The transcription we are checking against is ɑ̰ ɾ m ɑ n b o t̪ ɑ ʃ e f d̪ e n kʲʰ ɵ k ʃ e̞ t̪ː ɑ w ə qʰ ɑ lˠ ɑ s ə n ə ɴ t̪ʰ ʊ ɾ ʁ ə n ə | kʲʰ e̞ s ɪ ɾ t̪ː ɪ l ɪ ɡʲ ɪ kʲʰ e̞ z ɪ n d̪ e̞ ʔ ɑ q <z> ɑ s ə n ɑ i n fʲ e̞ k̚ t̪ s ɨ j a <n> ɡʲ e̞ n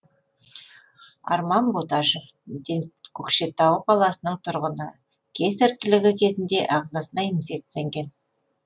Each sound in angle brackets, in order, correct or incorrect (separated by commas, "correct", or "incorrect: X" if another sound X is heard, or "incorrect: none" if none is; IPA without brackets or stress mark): correct, incorrect: ŋ